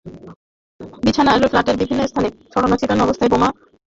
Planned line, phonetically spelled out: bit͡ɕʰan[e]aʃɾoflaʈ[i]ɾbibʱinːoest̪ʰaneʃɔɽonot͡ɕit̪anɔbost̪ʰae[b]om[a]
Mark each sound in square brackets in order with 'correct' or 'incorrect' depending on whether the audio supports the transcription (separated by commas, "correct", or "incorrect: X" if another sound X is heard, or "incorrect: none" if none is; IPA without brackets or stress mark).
incorrect: a, incorrect: e, correct, correct